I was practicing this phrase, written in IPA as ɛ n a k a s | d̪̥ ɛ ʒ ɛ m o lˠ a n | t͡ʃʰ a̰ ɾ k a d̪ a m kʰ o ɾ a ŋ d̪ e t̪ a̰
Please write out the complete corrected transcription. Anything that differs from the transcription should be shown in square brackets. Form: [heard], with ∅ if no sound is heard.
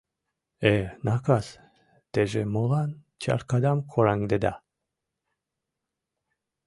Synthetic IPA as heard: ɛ n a k a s | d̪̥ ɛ ʒ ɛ m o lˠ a n | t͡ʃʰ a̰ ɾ k a d̪ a m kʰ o ɾ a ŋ d̪ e [d̪] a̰

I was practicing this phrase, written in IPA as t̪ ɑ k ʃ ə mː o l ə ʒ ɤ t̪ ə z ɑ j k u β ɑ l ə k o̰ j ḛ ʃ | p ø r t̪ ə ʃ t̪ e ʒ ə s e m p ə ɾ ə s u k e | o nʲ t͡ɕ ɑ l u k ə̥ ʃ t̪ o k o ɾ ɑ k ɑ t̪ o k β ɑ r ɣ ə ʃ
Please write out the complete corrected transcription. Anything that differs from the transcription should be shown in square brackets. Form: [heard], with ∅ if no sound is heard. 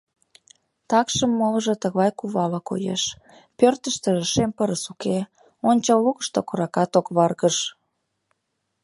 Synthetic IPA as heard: t̪ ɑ k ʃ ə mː o l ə ʒ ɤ t̪ ə [ɣ] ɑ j k u β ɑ l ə k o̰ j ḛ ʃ | p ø r t̪ ə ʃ t̪ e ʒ ə [ʃ] e m p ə ɾ ə s u k e | o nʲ t͡ɕ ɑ l u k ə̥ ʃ t̪ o k o ɾ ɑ k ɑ t̪ o k β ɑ r ɣ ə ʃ

